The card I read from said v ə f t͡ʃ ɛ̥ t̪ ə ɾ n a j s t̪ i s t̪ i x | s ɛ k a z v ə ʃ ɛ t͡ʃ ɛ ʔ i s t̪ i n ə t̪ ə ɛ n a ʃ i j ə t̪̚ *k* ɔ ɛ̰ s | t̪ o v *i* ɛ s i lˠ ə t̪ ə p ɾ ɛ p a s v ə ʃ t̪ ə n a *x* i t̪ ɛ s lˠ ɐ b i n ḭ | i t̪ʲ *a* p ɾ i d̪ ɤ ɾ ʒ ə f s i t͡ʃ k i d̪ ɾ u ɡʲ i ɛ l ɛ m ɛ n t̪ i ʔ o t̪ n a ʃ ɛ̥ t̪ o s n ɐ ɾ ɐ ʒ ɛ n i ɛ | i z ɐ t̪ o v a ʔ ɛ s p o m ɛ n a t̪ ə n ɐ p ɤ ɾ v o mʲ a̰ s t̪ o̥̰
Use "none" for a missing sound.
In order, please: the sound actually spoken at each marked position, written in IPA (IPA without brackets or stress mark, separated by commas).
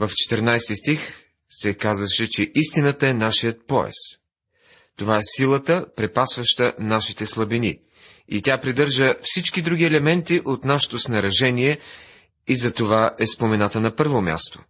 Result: p, a, ʃ, a